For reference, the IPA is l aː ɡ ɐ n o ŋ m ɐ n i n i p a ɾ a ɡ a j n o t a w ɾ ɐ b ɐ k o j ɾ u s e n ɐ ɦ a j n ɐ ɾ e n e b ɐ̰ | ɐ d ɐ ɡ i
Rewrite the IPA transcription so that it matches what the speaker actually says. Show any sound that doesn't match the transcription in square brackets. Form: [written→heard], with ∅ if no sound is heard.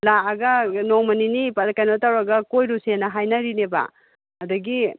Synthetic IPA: l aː ɡ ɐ n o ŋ m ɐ n i n i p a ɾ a [ɡ→k] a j n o t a w ɾ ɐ [b→ɡ] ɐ k o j ɾ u s e n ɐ ɦ a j n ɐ ɾ [e→i] n e b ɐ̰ | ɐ d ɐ ɡ i